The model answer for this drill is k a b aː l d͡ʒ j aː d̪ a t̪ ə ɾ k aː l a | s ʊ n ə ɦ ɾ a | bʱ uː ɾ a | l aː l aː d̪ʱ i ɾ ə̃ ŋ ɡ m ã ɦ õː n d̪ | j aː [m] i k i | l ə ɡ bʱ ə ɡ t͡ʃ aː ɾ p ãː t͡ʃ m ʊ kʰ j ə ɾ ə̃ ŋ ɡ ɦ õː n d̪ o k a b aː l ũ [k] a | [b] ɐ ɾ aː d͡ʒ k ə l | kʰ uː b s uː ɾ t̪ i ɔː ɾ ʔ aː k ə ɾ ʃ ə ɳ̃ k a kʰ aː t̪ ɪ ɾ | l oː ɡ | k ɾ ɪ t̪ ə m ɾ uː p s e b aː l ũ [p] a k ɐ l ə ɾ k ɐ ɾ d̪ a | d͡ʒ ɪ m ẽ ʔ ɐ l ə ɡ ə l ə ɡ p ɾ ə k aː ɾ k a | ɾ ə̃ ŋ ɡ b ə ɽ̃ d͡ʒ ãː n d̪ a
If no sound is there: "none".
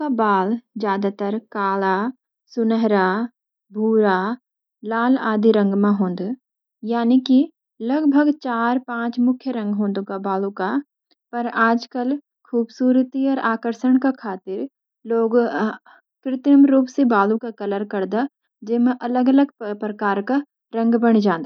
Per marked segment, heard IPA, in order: n, k, p, k

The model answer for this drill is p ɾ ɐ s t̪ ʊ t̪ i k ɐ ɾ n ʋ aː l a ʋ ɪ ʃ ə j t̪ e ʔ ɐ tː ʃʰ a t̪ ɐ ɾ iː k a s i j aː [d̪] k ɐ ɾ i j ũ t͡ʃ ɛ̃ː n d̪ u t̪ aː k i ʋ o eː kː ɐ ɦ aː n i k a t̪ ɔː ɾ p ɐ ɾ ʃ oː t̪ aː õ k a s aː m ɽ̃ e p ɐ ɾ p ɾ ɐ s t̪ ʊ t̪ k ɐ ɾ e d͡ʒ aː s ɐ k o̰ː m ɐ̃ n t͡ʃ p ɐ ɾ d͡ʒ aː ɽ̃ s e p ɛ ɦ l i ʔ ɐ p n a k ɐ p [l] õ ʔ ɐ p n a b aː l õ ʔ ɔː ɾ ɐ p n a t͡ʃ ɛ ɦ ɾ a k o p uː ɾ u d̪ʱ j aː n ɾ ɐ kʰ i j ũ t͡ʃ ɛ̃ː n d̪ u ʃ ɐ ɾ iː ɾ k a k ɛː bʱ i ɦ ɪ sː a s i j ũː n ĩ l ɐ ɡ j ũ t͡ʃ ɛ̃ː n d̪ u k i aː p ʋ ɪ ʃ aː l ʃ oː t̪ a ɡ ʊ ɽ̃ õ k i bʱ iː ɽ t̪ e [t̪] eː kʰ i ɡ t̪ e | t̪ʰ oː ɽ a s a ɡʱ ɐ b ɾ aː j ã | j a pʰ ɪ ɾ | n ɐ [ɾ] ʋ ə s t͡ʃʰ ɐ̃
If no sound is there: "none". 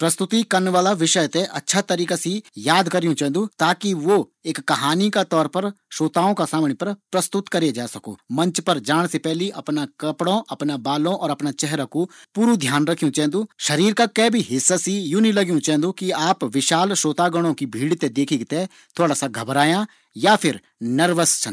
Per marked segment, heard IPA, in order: d̪, ɽ, d̪, ɾ

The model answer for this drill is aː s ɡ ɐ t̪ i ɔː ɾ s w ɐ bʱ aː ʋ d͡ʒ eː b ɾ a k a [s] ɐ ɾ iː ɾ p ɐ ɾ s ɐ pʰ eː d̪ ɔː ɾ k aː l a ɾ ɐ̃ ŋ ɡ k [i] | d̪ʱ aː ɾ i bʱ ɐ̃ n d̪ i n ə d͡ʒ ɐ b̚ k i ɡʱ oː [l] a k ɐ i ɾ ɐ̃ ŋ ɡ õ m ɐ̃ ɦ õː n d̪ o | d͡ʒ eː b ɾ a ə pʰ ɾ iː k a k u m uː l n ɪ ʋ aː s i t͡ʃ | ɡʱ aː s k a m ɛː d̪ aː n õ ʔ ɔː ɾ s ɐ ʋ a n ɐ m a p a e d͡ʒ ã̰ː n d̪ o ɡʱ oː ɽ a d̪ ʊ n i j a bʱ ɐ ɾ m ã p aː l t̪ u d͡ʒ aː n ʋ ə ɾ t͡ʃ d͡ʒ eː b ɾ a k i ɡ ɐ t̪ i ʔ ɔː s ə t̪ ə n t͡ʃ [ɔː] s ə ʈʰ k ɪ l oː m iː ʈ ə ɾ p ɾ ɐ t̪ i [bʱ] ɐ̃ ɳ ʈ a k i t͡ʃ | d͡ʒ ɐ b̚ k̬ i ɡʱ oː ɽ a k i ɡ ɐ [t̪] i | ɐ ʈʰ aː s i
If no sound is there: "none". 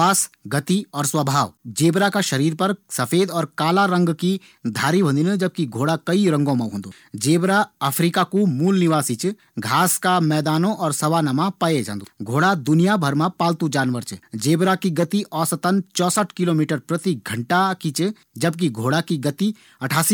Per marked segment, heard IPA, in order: ʃ, i, ɽ, ɔː, ɡʱ, t̪

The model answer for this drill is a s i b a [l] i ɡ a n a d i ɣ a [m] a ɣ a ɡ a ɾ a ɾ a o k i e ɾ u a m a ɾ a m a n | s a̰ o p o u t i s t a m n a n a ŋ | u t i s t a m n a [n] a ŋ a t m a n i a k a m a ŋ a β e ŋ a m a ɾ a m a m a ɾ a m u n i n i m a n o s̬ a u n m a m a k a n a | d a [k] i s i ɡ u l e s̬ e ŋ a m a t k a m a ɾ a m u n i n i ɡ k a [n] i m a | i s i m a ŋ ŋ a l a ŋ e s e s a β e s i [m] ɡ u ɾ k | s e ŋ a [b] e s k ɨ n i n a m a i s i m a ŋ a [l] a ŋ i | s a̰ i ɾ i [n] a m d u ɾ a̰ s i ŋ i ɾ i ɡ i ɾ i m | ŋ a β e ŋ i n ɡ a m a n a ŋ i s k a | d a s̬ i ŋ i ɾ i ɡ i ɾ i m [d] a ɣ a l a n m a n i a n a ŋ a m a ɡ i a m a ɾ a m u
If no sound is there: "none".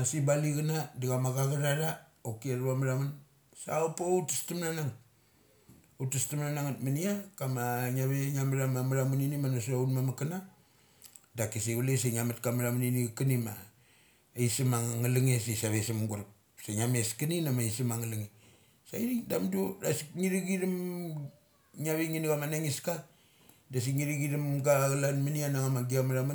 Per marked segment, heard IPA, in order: l, m, n, k, n, m, m, l, d, ɡ

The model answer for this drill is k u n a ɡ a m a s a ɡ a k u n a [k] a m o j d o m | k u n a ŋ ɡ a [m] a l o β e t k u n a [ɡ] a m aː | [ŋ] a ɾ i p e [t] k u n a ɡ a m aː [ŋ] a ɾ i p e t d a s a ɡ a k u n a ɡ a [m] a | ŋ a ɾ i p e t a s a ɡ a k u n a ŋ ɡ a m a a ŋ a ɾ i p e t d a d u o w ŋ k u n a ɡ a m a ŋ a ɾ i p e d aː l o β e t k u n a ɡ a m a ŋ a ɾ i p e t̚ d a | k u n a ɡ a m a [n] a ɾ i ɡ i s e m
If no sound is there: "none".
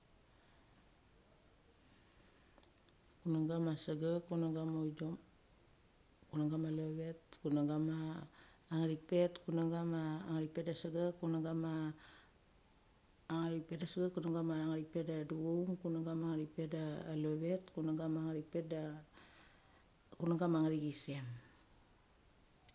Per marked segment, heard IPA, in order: ɡ, m, ɡ, ŋ, t, ŋ, m, ŋ

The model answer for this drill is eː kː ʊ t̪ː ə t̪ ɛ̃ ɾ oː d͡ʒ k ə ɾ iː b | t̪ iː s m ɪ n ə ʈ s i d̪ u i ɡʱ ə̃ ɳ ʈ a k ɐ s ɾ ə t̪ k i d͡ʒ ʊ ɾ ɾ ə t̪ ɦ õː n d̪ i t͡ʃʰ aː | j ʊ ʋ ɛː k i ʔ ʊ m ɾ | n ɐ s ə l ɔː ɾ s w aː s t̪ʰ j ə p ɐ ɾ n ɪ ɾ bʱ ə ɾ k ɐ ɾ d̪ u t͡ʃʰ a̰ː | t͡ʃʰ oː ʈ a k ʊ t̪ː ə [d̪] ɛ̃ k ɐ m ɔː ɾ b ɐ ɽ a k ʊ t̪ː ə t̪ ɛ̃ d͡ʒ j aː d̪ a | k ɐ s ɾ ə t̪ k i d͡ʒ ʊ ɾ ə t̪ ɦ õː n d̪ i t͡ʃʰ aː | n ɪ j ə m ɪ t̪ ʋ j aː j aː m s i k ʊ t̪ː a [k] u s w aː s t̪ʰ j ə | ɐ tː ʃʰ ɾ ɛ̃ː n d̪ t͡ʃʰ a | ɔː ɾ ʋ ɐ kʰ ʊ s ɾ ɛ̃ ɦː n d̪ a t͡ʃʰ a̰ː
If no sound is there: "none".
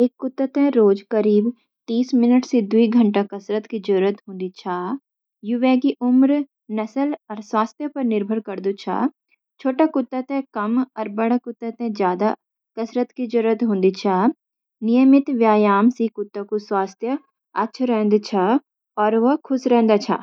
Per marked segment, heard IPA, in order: t̪, k

